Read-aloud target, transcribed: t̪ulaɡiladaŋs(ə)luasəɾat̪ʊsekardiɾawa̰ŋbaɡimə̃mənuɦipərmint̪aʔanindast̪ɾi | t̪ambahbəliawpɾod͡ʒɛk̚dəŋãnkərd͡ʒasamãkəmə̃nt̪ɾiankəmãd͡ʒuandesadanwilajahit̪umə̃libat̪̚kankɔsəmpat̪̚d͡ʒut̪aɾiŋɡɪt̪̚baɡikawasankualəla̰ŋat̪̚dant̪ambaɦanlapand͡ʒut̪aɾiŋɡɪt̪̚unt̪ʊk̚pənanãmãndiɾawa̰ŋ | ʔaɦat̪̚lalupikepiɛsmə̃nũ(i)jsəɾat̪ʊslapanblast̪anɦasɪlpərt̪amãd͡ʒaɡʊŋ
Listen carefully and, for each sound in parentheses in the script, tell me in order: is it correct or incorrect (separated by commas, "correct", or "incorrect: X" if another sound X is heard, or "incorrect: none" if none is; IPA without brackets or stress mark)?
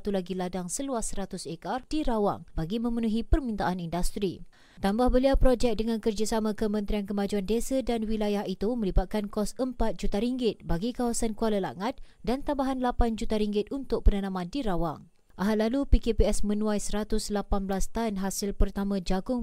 correct, incorrect: a